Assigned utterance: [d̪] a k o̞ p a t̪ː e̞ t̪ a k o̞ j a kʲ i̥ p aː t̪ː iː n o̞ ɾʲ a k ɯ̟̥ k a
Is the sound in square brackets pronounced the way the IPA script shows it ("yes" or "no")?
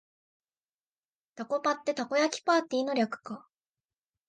no